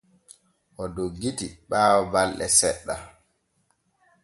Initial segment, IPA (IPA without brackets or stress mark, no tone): ʔ